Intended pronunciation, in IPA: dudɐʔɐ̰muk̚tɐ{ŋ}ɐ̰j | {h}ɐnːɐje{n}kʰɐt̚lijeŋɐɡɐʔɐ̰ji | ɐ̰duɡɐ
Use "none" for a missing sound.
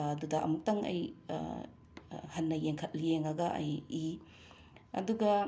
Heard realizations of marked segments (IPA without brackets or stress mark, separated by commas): ŋ, h, ŋ